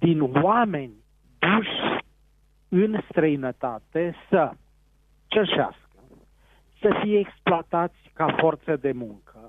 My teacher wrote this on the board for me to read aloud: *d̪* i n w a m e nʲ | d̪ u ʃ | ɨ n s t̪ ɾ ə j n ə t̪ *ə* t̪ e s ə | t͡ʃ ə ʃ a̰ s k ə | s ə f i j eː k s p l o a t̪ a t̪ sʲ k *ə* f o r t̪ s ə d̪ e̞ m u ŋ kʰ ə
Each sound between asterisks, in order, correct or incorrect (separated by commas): correct, incorrect, incorrect